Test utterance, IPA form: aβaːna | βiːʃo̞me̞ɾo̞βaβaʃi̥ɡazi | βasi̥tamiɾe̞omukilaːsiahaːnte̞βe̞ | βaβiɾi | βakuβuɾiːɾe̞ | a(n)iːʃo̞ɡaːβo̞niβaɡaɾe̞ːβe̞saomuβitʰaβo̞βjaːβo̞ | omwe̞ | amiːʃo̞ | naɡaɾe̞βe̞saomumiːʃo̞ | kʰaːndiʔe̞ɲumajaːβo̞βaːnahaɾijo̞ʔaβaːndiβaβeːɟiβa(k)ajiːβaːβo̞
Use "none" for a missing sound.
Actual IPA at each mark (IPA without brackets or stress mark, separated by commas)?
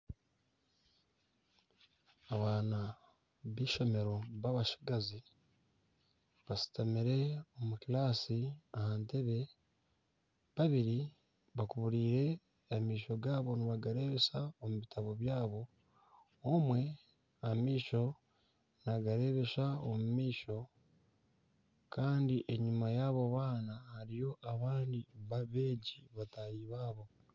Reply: m, t